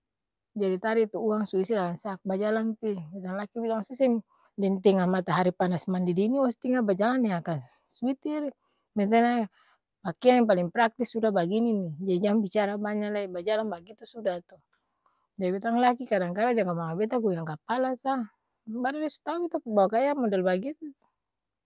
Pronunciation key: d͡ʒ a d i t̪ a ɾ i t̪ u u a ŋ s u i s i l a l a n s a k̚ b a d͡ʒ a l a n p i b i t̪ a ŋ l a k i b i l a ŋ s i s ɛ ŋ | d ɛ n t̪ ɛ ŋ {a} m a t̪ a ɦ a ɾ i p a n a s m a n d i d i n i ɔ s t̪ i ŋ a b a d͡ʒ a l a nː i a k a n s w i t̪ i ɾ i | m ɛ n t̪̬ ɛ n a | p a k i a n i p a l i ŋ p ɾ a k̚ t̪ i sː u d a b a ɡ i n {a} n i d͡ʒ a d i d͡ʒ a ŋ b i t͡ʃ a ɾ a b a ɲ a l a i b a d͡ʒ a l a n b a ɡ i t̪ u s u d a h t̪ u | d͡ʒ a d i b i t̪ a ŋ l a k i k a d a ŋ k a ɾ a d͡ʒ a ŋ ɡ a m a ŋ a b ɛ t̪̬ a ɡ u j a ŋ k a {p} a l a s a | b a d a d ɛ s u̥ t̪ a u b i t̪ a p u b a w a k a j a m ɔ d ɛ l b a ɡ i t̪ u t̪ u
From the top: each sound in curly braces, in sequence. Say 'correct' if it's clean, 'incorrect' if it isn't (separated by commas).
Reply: correct, incorrect, correct